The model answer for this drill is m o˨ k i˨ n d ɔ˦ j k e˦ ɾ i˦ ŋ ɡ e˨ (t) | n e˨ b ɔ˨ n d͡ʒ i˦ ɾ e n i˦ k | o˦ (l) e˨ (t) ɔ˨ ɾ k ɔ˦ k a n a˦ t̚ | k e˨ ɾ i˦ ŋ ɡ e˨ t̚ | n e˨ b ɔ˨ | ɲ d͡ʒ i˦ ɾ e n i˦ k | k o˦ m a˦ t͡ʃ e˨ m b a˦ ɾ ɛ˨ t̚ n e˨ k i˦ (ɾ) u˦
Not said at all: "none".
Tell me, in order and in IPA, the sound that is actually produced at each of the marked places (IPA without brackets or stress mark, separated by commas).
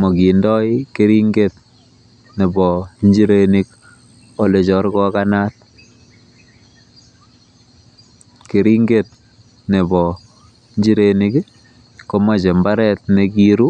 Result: t, l, t͡ʃ, ɾ